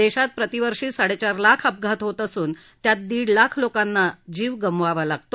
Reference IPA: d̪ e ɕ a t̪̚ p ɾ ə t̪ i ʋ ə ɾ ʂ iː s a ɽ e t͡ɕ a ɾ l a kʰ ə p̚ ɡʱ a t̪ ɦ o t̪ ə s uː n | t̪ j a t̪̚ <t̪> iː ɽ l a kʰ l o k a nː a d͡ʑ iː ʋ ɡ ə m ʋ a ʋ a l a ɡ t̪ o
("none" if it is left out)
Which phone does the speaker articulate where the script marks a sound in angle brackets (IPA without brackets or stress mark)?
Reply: d̪